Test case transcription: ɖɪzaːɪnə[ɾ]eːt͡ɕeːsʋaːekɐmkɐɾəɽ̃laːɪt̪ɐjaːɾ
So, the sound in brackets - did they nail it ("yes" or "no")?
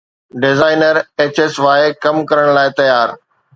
yes